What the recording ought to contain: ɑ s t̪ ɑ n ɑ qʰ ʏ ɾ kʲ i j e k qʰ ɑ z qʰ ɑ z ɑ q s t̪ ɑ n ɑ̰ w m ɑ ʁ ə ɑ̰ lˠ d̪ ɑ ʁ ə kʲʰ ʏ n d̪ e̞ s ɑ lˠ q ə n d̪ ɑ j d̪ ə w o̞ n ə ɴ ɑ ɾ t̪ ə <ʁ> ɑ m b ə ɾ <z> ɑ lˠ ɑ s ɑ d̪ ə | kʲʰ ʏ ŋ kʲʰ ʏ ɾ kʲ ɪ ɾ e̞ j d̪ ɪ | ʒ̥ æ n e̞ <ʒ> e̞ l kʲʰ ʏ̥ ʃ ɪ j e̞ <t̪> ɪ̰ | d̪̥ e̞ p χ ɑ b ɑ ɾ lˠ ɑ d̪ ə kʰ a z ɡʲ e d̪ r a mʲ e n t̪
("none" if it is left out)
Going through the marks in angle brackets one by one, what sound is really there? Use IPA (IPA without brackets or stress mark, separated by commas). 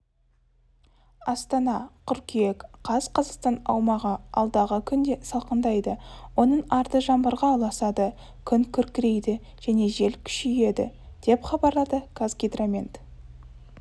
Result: ʒ, ʁ, ʒ, d̪